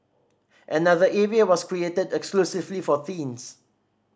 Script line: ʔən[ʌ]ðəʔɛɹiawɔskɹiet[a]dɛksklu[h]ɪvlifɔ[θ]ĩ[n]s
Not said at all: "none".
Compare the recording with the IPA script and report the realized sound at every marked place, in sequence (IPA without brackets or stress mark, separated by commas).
a, ə, s, θ, n